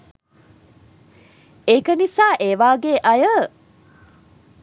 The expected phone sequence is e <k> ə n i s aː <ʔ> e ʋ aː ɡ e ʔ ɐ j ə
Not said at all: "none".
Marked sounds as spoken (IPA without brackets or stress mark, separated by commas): k, ʔ